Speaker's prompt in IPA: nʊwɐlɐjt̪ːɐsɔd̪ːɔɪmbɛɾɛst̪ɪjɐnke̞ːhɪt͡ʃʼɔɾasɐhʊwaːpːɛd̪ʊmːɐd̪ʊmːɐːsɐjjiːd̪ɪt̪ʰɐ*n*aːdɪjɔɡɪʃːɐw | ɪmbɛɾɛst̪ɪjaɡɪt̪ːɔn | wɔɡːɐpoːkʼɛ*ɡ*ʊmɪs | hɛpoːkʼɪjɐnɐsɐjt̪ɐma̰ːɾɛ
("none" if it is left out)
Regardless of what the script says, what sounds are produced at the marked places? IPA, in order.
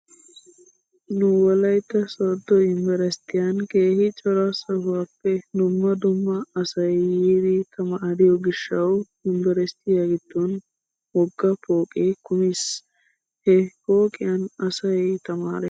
m, k

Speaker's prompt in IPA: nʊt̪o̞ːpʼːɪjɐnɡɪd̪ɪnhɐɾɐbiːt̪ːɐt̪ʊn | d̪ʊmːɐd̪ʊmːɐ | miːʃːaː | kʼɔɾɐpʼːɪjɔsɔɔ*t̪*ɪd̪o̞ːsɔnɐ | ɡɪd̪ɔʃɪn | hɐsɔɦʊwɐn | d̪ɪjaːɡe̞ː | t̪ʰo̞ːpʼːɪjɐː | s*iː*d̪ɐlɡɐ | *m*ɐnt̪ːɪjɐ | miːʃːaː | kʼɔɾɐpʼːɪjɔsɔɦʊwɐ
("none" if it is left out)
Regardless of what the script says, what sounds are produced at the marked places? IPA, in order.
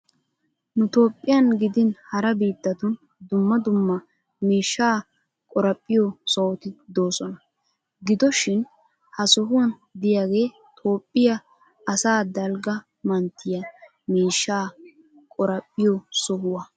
t̪, aː, m

